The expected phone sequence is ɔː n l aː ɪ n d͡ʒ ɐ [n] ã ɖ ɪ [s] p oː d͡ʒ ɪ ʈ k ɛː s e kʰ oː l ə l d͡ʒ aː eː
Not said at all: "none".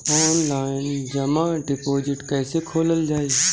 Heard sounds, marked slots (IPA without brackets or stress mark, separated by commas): m, none